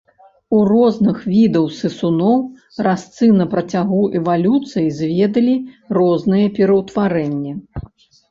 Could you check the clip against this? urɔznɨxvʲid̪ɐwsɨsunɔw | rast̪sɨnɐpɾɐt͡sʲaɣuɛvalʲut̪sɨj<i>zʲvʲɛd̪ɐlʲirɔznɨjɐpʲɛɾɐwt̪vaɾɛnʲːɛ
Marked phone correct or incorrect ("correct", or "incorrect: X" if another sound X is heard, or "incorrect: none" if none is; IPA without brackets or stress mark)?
correct